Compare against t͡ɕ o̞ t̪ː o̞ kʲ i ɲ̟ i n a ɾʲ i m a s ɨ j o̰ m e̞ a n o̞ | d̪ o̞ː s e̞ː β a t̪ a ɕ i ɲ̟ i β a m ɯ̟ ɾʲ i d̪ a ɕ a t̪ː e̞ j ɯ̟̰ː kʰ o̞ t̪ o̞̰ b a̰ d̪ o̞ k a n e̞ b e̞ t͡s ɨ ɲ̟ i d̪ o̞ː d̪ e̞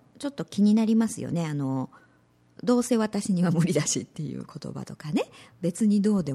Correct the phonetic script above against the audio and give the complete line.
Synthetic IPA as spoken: t͡ɕ o̞ t̪ː o̞ kʲ i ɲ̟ i n a ɾʲ i m a s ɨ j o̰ n e̞ a n o̞ | d̪ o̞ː s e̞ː β a t̪ a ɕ i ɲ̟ i β a m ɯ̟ ɾʲ i d̪ a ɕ i t̪ː e̞ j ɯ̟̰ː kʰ o̞ t̪ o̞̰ b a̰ t̪ o̞ k a n e̞ b e̞ t͡s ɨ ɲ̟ i d̪ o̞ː d̪ e̞